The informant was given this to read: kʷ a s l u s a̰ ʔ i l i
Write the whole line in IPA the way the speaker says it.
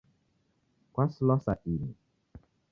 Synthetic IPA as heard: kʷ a s l ɔ s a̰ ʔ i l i

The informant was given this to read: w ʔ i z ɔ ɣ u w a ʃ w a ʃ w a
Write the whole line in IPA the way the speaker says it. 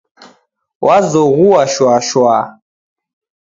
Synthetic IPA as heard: w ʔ a z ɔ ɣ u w a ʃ w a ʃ w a

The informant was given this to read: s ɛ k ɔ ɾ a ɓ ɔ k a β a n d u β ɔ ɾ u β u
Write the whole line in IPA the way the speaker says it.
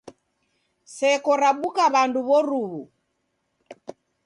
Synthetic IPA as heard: s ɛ k ɔ ɾ a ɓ u k a β a n d u β ɔ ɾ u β u

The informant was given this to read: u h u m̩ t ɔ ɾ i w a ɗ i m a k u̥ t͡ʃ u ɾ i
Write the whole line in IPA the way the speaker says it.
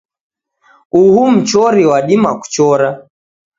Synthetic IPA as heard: u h u m̩ t͡ʃ ɔ ɾ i w a ɗ i m a k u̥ t͡ʃ ɔ ɾ a

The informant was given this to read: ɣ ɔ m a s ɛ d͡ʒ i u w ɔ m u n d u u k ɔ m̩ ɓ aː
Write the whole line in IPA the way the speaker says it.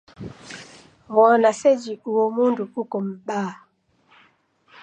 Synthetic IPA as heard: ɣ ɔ n a s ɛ d͡ʒ i u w ɔ m u n d u u k ɔ m̩ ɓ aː

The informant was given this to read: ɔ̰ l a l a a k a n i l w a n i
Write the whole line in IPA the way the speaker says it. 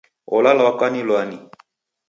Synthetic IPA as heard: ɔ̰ l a l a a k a n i l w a n i

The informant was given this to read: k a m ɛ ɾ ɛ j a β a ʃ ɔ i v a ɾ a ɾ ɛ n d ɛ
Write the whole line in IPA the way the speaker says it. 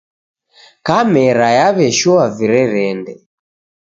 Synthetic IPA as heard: k a m ɛ ɾ a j a β ɛ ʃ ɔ a v i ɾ ɛ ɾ ɛ n d ɛ

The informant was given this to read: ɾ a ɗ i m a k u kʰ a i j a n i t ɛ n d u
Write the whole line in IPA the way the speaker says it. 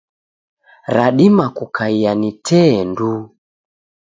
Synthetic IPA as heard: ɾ a ɗ i m a k u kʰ a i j a n i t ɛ n d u

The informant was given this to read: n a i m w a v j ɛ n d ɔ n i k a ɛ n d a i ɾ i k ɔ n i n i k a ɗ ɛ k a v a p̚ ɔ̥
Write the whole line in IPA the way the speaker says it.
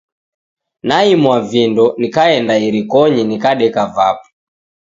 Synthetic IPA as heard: n a i m w a v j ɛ n d ɔ n i k a ɛ n d a i ɾ i k ɔ ɲ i n i k a ɗ ɛ k a v a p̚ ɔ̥

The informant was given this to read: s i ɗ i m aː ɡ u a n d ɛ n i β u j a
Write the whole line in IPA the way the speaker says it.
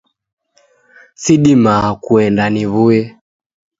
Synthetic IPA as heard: s i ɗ i m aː k u ɛ n d a n i β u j ɛ

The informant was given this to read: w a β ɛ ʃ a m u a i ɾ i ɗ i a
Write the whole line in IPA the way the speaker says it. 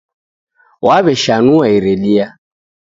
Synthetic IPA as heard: w a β ɛ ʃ a n u a i ɾ ɛ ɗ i a

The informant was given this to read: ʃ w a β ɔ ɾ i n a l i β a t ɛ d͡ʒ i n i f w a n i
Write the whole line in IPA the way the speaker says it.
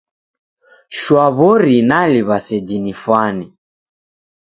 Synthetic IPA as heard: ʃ w a β ɔ ɾ i n a l i β a s ɛ d͡ʒ i n i f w a n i

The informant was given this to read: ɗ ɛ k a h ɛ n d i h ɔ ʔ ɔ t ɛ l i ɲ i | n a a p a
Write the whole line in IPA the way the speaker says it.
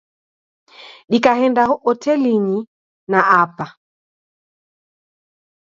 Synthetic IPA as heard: ɗ i k a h ɛ n d a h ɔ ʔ ɔ t ɛ l i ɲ i | n a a p a

